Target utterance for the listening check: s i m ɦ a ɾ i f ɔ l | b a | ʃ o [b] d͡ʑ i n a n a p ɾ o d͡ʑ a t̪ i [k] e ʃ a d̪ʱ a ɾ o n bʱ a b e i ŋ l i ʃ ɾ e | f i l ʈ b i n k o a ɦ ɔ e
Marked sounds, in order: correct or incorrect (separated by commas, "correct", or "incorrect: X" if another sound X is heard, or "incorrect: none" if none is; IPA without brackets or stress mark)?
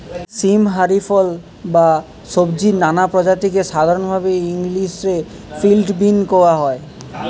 correct, correct